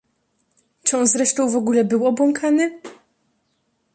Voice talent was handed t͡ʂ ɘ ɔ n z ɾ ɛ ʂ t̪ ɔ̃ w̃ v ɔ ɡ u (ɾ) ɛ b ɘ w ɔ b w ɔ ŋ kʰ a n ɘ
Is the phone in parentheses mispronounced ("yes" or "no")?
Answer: yes